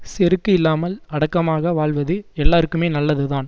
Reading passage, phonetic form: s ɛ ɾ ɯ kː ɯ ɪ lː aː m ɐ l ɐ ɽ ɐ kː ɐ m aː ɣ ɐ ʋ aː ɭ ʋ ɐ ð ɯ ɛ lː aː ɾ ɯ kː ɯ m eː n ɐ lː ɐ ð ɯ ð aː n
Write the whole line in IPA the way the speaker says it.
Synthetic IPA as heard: s ɛ ɾ ɯ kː ɯ ɪ lː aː m ɐ l ɐ ɽ ɐ kː ɐ m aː ɣ ɐ ʋ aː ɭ ʋ ɐ ð ɯ ɛ lː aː ɾ ɯ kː ɯ m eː n ɐ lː ɐ ð ɯ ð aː n